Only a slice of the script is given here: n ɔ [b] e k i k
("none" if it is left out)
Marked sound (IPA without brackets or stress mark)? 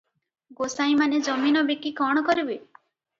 b